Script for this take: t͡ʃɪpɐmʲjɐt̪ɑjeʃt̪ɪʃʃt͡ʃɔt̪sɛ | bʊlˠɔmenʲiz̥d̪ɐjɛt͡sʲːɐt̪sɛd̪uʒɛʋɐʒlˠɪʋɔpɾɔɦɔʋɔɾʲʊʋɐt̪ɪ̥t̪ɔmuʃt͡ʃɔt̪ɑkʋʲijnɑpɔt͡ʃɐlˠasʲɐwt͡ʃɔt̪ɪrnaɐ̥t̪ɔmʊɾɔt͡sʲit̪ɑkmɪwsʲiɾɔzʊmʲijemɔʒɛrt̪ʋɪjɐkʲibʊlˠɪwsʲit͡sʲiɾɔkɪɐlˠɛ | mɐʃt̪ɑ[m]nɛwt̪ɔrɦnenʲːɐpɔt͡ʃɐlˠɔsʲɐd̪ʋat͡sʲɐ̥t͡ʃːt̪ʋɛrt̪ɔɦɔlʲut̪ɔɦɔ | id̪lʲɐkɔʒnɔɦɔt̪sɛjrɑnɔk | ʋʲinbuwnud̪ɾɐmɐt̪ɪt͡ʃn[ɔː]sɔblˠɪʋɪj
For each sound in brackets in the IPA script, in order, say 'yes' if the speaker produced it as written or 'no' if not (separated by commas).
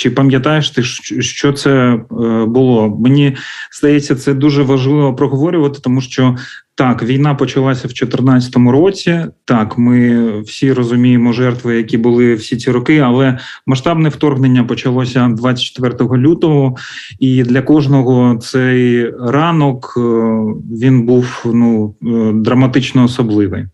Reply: no, yes